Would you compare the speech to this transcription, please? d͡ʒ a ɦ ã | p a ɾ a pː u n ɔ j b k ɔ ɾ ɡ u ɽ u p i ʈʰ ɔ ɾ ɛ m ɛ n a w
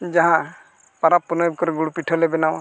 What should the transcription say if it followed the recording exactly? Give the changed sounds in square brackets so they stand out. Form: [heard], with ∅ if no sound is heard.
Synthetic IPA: d͡ʒ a ɦ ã | p a ɾ a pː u n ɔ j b k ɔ ɾ ɡ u ɽ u p i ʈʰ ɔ [l] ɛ [b] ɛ n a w